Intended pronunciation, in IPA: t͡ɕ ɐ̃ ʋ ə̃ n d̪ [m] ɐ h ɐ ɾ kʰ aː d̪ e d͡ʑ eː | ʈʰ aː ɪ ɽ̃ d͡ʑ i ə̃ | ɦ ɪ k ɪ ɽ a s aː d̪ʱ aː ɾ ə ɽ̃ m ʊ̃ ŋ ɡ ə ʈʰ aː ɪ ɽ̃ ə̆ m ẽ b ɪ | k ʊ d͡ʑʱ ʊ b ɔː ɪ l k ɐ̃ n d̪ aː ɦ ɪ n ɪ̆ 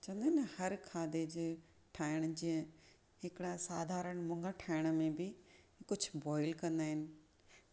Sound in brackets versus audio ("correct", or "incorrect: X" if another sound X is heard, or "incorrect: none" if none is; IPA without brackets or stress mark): incorrect: n